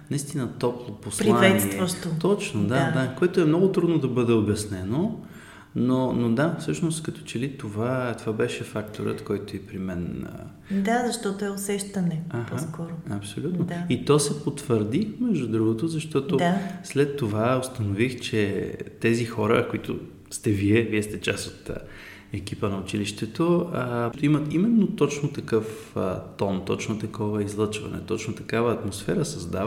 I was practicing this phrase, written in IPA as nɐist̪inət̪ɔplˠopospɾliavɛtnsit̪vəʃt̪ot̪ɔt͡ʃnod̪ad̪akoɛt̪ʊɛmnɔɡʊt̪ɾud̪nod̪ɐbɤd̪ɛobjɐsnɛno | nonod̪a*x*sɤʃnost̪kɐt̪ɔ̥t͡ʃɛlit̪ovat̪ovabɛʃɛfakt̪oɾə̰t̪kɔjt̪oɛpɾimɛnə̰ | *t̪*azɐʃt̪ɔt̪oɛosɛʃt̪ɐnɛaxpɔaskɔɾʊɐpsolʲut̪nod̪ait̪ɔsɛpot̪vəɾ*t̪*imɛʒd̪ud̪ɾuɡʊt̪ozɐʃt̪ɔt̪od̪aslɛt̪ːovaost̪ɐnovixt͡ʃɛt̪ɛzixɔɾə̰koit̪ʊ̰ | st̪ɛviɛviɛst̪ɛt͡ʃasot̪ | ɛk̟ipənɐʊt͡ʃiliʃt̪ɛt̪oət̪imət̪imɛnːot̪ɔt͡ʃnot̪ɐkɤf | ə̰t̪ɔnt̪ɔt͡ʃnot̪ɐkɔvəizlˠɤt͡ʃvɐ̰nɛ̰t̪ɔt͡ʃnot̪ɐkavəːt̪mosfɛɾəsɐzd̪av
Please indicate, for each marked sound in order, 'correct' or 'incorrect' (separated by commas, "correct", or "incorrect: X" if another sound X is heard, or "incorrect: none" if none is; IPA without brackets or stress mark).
incorrect: f, incorrect: d̪, incorrect: d̪